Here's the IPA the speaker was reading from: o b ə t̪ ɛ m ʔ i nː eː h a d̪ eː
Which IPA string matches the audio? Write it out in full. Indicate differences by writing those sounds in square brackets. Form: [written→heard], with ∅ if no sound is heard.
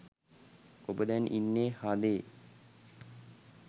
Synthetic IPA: o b ə [t̪→d̪] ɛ [m→n] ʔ i nː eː h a d̪ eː